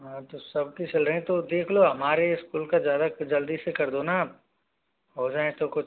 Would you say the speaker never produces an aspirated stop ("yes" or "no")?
no